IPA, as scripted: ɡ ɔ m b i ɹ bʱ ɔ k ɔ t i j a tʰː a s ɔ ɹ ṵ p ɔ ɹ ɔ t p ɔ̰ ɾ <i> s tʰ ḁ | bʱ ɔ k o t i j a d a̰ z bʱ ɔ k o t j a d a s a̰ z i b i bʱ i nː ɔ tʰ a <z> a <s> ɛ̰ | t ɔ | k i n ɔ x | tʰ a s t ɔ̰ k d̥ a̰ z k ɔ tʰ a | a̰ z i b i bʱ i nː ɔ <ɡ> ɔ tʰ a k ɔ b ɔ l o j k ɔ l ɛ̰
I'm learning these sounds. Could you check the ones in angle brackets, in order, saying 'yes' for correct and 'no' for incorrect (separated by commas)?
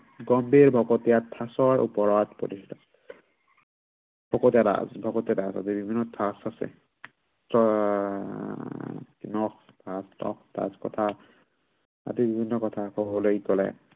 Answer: yes, no, yes, no